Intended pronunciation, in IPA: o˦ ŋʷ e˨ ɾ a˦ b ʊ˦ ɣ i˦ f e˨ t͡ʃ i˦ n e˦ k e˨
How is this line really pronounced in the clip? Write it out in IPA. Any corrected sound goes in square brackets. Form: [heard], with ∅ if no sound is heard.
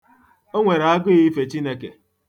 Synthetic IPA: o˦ ŋʷ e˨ ɾ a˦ [ɡ] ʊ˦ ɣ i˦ f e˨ t͡ʃ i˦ n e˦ k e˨